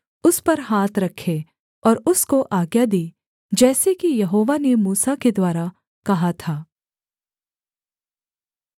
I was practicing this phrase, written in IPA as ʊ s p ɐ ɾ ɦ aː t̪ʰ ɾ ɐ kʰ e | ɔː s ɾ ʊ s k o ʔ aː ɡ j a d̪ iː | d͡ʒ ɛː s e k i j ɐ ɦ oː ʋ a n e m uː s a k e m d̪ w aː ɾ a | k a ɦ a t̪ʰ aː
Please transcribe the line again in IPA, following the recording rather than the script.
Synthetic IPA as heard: ʊ s p ɐ ɾ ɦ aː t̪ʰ ɾ ɐ kʰ e | ɔː ɾ ʊ s k o ʔ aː ɡ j a d̪ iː | d͡ʒ ɛː s e k i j ɐ ɦ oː ʋ a n e m uː s a k e d̪ w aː ɾ a | k ɐ ɦ a t̪ʰ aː